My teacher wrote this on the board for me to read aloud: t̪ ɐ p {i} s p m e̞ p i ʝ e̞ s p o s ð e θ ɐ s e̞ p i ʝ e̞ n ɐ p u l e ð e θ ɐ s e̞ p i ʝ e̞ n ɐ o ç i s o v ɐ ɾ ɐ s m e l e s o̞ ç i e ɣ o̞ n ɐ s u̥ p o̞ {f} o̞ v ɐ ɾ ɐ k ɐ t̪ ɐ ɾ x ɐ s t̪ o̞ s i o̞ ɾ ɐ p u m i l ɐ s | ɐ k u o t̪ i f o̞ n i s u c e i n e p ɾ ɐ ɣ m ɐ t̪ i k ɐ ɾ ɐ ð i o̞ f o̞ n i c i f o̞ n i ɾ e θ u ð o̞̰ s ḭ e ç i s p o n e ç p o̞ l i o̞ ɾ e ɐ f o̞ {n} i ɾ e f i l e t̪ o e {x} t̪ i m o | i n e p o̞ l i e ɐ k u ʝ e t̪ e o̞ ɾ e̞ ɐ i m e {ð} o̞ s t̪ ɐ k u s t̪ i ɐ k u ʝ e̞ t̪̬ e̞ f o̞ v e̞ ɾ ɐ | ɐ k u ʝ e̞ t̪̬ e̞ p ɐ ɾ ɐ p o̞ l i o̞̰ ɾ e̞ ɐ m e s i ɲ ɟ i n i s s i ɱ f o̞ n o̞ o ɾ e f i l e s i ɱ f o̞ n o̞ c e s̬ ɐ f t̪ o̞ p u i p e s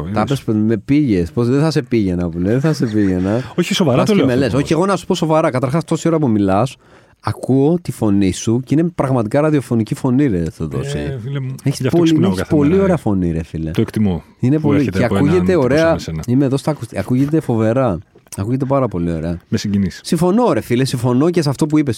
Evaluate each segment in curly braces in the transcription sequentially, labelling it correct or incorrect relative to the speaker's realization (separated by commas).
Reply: incorrect, incorrect, correct, incorrect, correct